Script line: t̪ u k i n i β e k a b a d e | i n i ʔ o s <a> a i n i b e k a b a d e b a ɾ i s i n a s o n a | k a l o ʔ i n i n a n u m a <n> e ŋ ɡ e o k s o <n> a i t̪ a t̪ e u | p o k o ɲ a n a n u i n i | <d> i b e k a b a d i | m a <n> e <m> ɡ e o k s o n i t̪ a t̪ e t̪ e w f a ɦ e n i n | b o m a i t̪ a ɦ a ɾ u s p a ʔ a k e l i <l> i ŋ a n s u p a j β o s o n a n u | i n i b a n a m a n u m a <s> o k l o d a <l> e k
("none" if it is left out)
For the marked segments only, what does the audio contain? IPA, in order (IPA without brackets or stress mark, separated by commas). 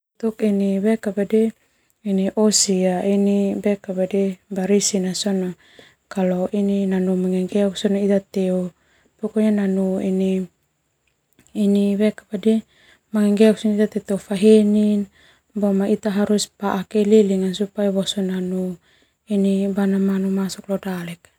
i, ŋ, n, n, ŋ, ŋ, l, s, l